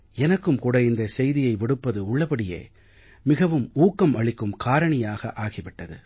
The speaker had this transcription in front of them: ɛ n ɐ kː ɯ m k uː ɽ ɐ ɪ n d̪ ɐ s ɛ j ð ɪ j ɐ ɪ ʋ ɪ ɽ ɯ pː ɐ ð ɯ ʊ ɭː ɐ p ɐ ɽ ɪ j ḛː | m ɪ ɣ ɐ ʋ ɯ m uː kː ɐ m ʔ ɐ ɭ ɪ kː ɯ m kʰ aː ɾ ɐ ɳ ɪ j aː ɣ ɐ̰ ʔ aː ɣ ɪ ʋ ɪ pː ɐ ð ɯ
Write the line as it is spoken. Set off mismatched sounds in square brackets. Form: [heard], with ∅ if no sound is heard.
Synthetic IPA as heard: ɛ n ɐ kː ɯ m k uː ɽ ɐ ɪ n d̪ ɐ s ɛ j ð ɪ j ɐ ɪ ʋ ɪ ɽ ɯ pː ɐ ð ɯ ʊ ɭː ɐ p ɐ ɽ ɪ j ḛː | m ɪ ɣ ɐ ʋ ɯ m uː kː ɐ m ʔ ɐ ɭ ɪ kː ɯ m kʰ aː ɾ ɐ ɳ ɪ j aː ɣ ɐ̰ ʔ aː ɣ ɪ ʋ ɪ [ʈː] ɐ ð ɯ

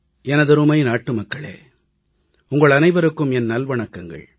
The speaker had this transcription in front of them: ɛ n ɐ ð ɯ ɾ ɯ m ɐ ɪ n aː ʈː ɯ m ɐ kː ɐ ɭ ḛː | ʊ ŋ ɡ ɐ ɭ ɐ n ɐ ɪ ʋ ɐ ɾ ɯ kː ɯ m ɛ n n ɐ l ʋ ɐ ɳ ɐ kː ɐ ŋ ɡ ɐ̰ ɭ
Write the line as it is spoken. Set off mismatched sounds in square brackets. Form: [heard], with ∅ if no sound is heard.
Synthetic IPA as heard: ɛ n ɐ ð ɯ ɾ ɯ m ɐ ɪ n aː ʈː ɯ m ɐ kː ɐ ɭ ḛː | ʊ ŋ ɡ ɐ ɭ ɐ n ɐ ɪ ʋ ɐ ɾ ɯ kː ɯ m ɛ n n ɐ l ʋ ɐ ɳ ɐ kː ɐ ŋ ɡ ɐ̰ ɭ

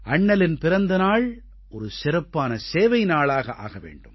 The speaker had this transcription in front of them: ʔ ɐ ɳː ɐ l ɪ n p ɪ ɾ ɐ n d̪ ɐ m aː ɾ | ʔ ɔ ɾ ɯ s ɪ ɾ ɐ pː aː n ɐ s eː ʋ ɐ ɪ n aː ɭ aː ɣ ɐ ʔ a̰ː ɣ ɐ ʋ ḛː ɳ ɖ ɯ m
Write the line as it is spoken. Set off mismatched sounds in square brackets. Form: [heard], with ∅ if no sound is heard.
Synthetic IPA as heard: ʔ ɐ ɳː ɐ l ɪ n p ɪ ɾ ɐ n d̪ ɐ [n] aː [ɭ] | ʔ ɔ ɾ ɯ s ɪ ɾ ɐ pː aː n ɐ s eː ʋ ɐ ɪ n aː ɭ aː ɣ ɐ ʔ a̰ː ɣ ɐ ʋ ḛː ɳ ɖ ɯ m

